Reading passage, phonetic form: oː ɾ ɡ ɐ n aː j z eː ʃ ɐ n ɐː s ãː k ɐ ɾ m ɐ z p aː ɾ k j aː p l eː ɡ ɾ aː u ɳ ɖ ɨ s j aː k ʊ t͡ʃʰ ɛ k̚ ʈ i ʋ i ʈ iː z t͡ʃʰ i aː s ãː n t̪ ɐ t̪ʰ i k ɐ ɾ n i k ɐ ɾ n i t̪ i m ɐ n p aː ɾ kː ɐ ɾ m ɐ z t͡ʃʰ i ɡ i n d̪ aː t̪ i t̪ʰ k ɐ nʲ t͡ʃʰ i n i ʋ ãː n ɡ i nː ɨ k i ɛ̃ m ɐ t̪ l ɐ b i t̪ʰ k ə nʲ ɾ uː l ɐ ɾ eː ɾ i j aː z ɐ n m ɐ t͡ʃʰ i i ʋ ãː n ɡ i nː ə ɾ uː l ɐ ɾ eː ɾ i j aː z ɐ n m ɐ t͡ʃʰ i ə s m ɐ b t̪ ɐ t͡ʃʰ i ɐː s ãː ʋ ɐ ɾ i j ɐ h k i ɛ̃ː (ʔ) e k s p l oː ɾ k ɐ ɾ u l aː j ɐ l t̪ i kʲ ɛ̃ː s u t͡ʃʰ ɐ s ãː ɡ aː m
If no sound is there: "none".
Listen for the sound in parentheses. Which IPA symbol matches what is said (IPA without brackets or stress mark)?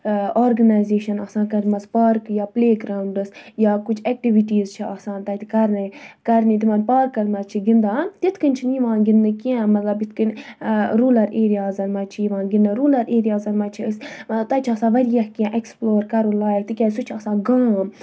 ʔ